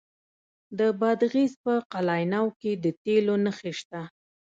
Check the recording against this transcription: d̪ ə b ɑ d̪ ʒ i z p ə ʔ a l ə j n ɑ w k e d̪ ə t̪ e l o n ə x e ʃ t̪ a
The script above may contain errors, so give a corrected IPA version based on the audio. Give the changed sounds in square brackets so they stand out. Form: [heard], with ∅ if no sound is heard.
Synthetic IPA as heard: d̪ ə b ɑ d̪ [ɣ] i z p ə [q] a l [ɑ] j n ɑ w k e d̪ ə t̪ e l o n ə x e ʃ t̪ a